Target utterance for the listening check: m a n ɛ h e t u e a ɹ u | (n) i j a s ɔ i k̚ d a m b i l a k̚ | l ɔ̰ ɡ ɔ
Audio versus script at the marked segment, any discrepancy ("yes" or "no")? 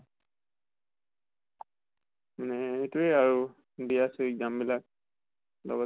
yes